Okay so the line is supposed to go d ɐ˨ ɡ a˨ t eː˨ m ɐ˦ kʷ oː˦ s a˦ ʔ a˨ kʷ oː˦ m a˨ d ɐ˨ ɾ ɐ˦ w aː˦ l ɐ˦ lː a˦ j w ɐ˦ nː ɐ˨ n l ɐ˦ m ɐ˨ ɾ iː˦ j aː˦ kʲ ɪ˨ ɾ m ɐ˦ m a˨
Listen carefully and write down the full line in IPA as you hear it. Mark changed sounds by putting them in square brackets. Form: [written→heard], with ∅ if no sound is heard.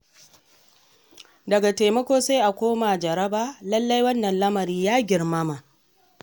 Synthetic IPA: d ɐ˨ ɡ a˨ t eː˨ m ɐ˦ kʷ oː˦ s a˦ ʔ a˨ kʷ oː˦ m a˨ [d→d͡ʒ] ɐ˨ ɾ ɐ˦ [w→b] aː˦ l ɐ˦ lː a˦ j w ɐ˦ nː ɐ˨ n l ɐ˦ m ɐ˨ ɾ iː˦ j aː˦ [kʲ→ɡʲ] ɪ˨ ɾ m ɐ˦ m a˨